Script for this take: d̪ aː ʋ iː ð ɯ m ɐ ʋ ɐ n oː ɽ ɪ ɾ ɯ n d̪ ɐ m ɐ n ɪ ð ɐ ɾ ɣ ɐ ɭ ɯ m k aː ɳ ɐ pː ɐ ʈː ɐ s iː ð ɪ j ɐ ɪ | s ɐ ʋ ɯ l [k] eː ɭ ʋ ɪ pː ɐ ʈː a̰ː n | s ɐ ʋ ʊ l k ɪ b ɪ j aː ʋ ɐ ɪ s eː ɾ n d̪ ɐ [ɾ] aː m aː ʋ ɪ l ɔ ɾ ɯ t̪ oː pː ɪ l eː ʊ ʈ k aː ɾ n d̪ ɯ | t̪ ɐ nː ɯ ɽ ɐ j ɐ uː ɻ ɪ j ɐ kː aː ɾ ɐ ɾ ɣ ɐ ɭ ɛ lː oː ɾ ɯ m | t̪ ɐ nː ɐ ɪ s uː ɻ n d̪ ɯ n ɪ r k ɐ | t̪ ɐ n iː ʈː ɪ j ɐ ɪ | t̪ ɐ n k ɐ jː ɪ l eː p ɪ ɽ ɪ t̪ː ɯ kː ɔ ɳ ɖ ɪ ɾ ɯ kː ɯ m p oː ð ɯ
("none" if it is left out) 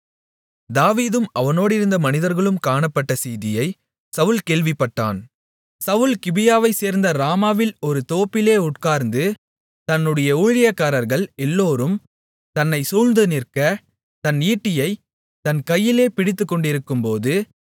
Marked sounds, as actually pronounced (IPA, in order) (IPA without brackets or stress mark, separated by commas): k, ɾ